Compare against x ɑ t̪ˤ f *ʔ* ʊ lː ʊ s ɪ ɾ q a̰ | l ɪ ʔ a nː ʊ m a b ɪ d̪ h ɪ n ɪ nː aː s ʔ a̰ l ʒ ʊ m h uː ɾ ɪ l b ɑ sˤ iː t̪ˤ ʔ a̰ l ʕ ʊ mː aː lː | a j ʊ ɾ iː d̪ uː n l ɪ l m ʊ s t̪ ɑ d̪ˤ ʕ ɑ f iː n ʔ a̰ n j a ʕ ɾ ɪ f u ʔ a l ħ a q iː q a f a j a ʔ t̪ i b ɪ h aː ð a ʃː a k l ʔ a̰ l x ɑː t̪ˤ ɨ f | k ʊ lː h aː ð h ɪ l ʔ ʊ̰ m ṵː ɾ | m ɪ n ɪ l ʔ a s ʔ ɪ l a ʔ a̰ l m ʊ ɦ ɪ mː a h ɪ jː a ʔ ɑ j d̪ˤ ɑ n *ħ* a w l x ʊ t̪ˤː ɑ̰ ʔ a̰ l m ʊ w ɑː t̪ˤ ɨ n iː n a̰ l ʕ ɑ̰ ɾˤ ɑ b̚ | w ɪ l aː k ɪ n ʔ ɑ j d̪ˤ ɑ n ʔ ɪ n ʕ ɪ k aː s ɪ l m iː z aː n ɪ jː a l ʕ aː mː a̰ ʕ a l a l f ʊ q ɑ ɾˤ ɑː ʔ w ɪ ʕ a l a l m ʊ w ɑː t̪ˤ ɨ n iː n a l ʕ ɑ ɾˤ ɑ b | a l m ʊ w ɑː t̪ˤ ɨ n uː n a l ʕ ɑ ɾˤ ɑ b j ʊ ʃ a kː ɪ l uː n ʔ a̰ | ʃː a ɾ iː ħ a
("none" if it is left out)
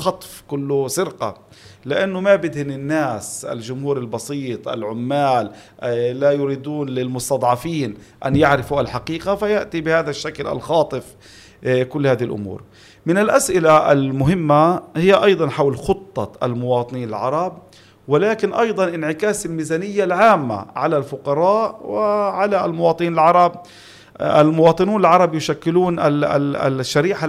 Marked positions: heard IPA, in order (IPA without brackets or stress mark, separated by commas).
k, ħ